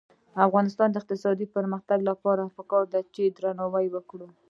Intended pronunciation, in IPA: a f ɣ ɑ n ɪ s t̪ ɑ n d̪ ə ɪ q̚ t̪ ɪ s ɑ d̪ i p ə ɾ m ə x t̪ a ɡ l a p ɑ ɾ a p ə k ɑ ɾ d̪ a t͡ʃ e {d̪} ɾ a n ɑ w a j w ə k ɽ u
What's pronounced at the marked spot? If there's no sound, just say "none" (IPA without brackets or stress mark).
d̪